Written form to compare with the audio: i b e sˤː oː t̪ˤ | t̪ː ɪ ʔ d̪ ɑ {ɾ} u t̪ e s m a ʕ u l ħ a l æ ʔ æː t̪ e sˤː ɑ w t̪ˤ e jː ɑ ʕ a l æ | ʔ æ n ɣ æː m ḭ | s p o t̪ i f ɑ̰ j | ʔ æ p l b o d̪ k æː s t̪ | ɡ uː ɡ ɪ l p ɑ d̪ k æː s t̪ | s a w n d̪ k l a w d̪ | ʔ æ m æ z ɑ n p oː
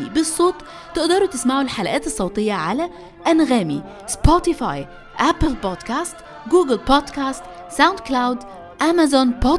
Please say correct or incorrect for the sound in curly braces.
correct